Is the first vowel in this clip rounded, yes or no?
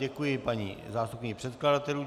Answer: no